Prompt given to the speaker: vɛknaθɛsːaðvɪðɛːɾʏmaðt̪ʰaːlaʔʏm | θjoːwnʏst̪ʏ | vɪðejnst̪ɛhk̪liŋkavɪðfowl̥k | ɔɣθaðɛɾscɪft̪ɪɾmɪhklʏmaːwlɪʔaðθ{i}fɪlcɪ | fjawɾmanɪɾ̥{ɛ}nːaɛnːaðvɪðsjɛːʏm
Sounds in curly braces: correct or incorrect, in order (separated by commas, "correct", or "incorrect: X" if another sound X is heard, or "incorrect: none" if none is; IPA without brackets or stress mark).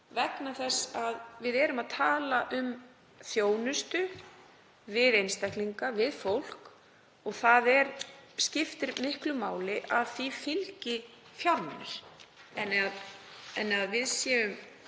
correct, correct